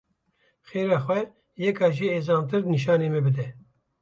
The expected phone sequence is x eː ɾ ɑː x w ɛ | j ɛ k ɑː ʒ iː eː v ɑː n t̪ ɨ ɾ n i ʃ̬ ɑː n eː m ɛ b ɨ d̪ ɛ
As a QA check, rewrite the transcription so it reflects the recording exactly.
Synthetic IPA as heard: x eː ɾ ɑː x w ɛ | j ɛ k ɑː ʒ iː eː z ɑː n t̪ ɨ ɾ n i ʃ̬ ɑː n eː m ɛ b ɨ d̪ ɛ